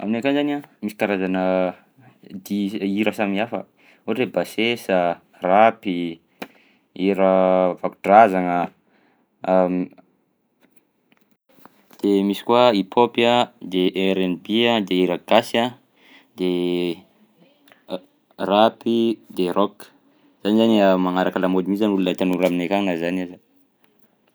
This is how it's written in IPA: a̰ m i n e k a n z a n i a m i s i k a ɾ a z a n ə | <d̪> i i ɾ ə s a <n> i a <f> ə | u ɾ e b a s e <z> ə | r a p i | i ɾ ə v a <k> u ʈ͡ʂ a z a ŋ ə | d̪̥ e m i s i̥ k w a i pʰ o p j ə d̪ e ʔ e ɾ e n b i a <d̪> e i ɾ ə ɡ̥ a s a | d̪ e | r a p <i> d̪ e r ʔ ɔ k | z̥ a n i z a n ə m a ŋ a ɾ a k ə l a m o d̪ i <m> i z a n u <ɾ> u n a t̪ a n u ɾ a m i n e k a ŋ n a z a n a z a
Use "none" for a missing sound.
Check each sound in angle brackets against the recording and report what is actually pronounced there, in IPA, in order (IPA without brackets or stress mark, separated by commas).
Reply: d̪, m, f, s, k, d̪, i, m, l